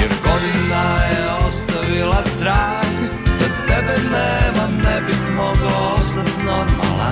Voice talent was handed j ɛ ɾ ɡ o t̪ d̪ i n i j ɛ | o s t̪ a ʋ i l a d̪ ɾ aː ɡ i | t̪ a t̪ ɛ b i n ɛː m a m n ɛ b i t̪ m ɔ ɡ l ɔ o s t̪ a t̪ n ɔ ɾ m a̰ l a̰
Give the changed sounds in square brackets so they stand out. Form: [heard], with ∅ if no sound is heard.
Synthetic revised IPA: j ɛ ɾ ɡ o [∅] d̪ i n [a] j ɛ | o s t̪ a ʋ i l a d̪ ɾ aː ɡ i | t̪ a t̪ ɛ b [ɛ] n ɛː m a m n ɛ b i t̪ m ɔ ɡ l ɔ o s t̪ a t̪ n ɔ ɾ m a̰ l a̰